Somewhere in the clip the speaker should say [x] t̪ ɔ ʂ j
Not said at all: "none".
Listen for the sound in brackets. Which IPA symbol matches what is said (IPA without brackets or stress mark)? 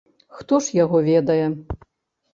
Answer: x